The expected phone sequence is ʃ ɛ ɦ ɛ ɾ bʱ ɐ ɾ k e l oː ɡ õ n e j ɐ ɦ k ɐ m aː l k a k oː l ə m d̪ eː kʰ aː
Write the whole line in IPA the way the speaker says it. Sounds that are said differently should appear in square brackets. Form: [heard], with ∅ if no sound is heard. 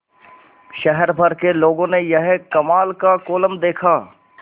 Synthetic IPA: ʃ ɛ ɦ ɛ ɾ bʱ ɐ ɾ k e l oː ɡ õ n e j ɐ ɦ k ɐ m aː l k a k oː l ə m d̪ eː kʰ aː